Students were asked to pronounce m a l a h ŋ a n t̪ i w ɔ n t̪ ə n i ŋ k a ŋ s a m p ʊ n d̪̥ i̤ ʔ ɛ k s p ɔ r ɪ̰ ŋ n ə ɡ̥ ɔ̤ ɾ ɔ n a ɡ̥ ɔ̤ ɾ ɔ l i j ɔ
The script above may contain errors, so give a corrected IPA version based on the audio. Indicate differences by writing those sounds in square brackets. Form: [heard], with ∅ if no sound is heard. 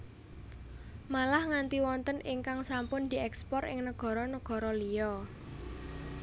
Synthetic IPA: m a l a h ŋ a n t̪ i w ɔ n t̪ ə n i ŋ k a ŋ s a m p ʊ n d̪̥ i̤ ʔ ɛ k s p ɔ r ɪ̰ ŋ n ə ɡ̥ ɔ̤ ɾ ɔ n [ə] ɡ̥ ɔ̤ ɾ ɔ l i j ɔ